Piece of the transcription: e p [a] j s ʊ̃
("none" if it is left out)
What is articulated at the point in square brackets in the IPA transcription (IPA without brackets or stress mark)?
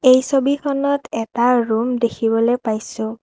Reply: a